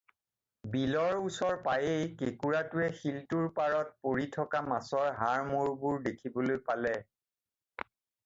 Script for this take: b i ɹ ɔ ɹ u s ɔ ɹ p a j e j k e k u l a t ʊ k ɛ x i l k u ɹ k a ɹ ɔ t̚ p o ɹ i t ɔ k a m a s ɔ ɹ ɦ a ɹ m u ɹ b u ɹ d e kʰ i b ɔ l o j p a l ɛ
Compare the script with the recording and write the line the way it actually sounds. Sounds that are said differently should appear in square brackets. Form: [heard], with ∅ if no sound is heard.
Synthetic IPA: b i [l] ɔ ɹ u s ɔ ɹ p a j e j k e k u [ɹ] a t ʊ [∅] ɛ x i l [t] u ɹ [p] a ɹ ɔ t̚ p o ɹ i [tʰ] ɔ k a m a s ɔ ɹ ɦ a ɹ m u ɹ b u ɹ d e kʰ i b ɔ l o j p a l ɛ